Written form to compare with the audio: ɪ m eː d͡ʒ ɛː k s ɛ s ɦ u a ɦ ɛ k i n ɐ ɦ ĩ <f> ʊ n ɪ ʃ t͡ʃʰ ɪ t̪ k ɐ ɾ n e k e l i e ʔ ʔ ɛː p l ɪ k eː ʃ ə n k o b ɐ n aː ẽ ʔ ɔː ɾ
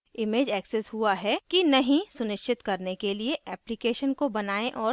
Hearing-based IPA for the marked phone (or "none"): s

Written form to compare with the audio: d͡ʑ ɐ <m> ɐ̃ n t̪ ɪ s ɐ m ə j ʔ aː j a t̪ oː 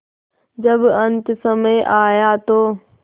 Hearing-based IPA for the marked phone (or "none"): b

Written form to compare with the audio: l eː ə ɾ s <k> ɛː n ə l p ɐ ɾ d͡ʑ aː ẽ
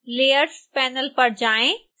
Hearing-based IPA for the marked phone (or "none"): p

